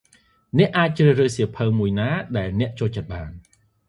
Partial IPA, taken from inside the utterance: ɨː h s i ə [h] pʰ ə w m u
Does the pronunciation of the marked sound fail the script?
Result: yes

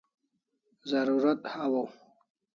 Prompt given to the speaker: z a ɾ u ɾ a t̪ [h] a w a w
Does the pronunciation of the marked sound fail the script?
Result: no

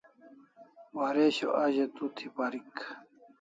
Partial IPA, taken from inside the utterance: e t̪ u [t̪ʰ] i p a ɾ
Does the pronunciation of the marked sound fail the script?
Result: no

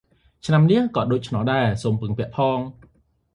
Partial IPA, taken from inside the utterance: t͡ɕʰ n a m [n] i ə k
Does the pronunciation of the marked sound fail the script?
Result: no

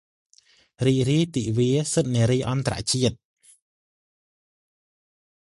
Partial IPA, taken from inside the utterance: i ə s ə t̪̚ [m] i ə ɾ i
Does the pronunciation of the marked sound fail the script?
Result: yes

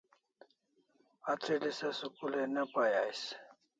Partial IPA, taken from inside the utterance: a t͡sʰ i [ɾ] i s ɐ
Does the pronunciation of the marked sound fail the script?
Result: yes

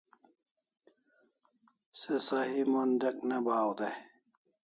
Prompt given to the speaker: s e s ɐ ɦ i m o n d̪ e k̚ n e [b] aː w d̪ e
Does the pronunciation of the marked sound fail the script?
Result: no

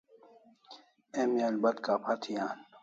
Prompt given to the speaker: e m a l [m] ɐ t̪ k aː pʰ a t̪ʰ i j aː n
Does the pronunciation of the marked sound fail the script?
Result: yes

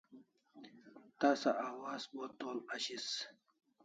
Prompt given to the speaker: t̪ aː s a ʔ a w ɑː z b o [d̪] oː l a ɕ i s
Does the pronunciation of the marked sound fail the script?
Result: yes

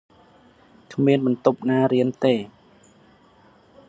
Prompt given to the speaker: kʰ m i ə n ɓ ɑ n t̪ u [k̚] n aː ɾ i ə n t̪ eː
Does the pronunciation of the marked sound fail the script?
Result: yes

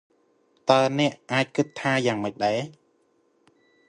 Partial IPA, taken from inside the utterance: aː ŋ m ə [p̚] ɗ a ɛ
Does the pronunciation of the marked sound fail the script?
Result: yes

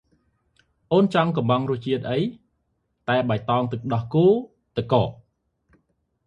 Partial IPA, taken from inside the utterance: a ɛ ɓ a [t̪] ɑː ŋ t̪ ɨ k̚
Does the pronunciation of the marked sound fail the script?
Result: no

